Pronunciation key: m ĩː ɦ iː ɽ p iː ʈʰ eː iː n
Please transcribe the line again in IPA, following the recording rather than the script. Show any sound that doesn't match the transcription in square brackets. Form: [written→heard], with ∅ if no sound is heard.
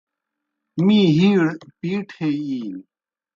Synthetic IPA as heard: m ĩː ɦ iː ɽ p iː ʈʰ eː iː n